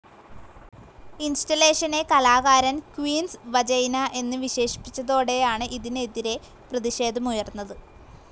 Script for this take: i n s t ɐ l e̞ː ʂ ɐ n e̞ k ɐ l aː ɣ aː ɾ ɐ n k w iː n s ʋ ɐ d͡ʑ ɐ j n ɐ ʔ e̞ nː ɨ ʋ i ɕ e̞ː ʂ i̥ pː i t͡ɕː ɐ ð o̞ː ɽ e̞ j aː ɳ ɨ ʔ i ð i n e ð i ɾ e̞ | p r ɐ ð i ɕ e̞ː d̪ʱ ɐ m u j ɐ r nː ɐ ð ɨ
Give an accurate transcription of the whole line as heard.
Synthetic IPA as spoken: i n s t ɐ l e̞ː ʂ ɐ n e̞ k ɐ l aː ɣ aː ɾ ɐ n k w iː n s ʋ ɐ d͡ʑ ɐ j n ɐ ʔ e̞ nː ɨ ʋ i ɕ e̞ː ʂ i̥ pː i t͡ɕː ɐ ð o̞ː ɽ e̞ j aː ɳ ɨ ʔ i ð i n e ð i ɾ e̞ | p r ɐ ð i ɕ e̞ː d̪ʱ ɐ m u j ɐ r nː ɐ ð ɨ